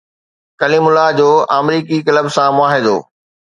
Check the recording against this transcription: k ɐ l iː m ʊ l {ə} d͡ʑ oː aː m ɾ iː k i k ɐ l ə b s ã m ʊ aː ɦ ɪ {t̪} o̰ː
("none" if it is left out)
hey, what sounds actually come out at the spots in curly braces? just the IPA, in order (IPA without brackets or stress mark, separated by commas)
a, d̪